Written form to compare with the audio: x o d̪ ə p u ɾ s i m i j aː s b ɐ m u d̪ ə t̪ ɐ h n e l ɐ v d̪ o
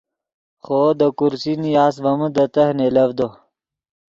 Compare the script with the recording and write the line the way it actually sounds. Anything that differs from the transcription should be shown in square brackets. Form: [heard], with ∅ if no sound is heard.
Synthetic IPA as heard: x o d̪ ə [k] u ɾ s i [n] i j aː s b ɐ m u d̪ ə t̪ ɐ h n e l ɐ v d̪ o